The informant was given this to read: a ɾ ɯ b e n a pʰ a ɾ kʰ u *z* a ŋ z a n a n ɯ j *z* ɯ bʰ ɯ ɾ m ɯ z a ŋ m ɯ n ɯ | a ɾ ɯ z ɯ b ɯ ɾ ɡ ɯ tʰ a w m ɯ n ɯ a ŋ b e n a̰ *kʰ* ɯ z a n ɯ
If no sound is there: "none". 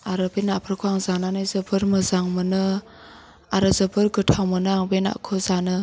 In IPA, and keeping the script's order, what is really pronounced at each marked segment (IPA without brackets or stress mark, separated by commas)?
none, z, kʰ